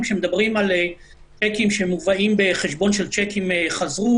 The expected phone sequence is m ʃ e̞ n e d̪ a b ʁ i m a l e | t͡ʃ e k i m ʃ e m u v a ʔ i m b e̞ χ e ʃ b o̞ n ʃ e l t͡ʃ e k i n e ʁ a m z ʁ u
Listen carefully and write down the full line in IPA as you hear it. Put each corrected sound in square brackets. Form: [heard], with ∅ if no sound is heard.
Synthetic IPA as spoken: m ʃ e̞ [m] e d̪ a b ʁ i m a l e | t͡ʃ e k i m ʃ e m u v a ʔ i m b e̞ χ e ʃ b o̞ n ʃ e l t͡ʃ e k i [m] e [χ] a [∅] z ʁ u